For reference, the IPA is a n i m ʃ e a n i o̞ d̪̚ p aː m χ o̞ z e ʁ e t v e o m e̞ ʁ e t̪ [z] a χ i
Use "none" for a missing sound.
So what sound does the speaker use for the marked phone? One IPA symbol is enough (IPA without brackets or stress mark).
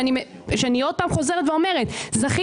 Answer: z